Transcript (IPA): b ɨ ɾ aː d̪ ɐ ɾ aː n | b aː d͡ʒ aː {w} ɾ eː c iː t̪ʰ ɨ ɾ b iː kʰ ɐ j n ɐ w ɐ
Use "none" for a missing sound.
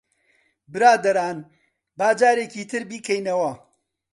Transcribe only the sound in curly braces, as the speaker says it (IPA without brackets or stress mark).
none